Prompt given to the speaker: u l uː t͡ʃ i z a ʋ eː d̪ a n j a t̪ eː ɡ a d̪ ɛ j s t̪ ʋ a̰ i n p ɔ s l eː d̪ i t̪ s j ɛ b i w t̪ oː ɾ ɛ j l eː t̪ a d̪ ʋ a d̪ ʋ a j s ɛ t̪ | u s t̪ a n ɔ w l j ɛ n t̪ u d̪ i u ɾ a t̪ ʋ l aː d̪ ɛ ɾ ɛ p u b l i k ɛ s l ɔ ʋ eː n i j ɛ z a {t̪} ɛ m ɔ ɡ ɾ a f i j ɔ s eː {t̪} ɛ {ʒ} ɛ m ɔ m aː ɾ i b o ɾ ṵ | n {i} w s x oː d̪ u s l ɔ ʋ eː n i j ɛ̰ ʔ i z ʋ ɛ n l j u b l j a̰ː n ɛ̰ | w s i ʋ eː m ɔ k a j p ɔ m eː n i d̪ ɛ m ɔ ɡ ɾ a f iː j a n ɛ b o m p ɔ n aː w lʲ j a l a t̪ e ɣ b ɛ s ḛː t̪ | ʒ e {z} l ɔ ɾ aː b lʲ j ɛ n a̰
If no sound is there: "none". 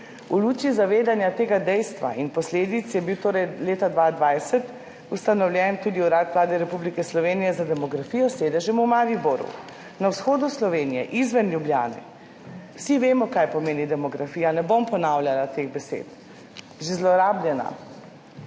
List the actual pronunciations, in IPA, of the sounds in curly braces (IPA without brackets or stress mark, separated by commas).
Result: d̪, d̪, ʒ, a, z